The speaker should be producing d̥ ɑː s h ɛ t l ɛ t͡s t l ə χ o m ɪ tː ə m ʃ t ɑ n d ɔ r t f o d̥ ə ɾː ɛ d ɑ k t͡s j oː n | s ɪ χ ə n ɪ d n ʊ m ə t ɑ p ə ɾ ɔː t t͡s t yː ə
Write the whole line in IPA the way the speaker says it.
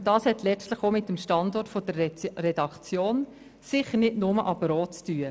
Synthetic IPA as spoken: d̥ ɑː s h ɛ t l ɛ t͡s t l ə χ o m ɪ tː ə m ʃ t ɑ n d ɔ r t f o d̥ ə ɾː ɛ d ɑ k t͡s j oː n | s ɪ χ ə n ɪ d n ʊ m ə ʔ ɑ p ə ɾ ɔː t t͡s t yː ə